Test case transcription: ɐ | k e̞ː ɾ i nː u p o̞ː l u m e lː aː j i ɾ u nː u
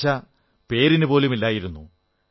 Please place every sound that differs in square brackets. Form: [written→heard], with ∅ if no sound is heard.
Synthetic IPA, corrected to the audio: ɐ | [k→p] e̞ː ɾ i [nː→n] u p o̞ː l u m [e→i] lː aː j i ɾ u nː u